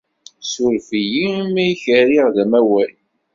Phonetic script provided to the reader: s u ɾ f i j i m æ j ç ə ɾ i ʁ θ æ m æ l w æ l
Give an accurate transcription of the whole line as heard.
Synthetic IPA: s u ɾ f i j i m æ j ç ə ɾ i ʁ ð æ m æ w æ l

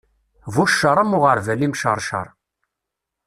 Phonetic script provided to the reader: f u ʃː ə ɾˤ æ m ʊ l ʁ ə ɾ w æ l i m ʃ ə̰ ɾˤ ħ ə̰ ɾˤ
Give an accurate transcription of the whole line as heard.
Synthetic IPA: v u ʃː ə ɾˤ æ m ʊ ʁ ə ɾ v æ l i m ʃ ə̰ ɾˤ ʃ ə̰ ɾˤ

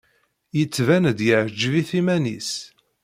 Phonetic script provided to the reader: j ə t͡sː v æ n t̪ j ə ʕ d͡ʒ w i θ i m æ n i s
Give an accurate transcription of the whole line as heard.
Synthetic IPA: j ə t͡sː v æ n d̪ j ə ʕ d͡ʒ v i θ i m æ n i s

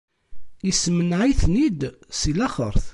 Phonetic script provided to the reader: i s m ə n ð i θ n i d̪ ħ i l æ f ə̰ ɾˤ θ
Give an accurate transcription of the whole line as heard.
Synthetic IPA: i s m ə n ʕ i θ n i d̪ s i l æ χ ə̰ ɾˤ θ

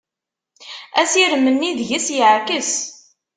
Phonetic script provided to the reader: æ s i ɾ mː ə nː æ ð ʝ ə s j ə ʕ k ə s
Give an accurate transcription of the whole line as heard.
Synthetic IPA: æ s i ɾ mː ə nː i ð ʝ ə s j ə ʕ k ə s

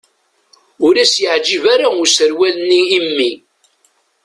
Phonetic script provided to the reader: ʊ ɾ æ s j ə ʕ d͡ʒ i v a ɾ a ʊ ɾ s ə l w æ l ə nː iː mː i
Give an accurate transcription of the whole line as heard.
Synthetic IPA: ʊ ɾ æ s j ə ʕ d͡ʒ i v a ɾ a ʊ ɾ s ə ɾ w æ l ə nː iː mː i

